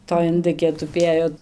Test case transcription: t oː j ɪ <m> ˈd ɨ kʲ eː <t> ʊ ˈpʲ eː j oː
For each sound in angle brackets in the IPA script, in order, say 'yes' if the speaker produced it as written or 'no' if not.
no, yes

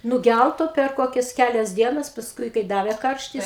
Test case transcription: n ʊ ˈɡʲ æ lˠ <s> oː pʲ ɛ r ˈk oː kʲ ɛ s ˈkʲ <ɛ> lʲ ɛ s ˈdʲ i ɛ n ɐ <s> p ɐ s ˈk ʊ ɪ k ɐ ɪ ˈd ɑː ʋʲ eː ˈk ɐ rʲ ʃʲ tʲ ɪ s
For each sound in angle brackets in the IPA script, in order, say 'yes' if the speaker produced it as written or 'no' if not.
no, no, yes

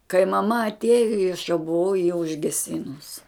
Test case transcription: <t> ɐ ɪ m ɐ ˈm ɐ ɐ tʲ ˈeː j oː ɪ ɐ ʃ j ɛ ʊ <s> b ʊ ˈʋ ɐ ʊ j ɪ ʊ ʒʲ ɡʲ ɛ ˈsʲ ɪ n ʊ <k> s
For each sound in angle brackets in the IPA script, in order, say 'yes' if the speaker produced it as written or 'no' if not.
no, no, no

